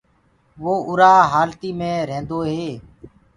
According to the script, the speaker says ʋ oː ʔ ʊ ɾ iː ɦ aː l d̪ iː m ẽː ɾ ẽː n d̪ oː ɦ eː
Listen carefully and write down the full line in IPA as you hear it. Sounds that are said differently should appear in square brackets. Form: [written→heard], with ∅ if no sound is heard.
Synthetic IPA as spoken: ʋ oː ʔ ʊ ɾ [iː→aː] ɦ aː l [d̪→t̪] iː m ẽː ɾ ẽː n d̪ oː ɦ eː